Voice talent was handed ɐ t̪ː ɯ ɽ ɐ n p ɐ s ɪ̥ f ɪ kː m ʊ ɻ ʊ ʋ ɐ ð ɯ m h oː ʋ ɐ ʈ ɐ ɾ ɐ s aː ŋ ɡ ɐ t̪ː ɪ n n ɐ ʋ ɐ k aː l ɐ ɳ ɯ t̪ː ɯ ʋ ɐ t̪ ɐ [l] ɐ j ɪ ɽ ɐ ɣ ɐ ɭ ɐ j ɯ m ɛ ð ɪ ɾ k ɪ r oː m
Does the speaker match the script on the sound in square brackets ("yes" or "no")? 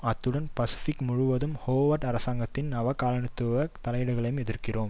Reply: yes